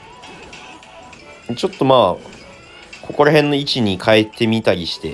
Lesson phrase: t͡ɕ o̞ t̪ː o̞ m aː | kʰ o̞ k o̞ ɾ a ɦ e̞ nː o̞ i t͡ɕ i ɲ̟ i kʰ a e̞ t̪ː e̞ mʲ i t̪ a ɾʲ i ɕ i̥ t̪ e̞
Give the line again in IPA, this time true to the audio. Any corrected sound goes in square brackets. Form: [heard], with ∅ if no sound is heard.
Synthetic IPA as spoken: t͡ɕ o̞ t̪ː o̞ m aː | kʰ o̞ k o̞ ɾ a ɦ [ẽ̞] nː o̞ i t͡ɕ i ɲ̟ i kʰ a e̞ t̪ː e̞ mʲ i t̪ a ɾʲ i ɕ i̥ t̪ e̞